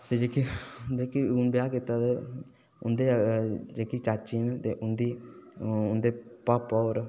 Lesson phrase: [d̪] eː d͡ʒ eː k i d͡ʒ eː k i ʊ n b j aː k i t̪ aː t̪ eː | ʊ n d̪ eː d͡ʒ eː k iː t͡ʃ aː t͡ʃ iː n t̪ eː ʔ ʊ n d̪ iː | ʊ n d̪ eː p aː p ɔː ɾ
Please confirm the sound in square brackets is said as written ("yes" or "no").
no